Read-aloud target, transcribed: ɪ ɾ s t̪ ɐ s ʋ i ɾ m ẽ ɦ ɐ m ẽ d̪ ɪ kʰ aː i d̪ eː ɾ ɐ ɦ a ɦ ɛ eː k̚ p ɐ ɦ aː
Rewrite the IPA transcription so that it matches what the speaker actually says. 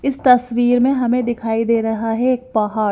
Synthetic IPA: ɪ s t̪ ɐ s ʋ iː ɾ m ẽ ɦ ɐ m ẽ d̪ ɪ kʰ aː i d̪ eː ɾ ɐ ɦ a ɦ ɛ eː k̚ p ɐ ɦ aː